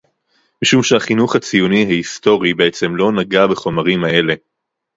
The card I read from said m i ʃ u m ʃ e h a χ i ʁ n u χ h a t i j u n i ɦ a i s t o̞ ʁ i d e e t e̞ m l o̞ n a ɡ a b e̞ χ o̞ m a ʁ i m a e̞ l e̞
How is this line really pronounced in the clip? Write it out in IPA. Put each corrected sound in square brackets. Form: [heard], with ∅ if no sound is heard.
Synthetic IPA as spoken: m i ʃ u m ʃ e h a χ i [∅] n u χ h a [t͡s] i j u n i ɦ a i s t o̞ ʁ i [b] e e [t͡s] e̞ m l o̞ n a ɡ a b e̞ χ o̞ m a ʁ i m a e̞ l e̞